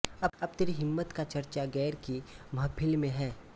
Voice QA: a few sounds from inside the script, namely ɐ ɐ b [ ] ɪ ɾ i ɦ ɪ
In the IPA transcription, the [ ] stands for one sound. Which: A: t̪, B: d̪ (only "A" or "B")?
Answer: A